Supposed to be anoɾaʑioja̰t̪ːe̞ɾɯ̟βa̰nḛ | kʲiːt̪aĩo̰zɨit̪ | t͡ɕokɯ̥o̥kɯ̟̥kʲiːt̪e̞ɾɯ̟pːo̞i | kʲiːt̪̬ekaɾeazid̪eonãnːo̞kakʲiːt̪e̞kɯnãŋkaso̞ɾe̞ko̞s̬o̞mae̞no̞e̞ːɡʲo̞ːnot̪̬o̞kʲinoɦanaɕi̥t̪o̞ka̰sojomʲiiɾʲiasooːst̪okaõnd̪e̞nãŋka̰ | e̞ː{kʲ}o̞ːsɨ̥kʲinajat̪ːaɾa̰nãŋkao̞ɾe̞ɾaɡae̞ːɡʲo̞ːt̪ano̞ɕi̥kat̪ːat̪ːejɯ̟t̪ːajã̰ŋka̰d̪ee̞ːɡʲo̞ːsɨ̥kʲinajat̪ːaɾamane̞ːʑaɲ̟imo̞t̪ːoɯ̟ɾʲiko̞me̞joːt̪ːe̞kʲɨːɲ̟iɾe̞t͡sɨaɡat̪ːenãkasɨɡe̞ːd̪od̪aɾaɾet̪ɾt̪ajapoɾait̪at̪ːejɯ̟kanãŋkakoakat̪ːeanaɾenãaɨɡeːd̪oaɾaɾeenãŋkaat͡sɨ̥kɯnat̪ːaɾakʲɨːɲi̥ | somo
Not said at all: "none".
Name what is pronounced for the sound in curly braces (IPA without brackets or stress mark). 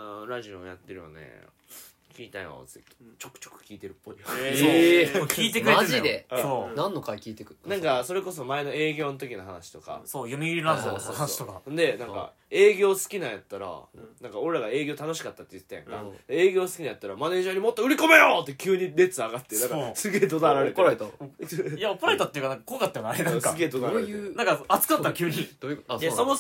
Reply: ɡʲ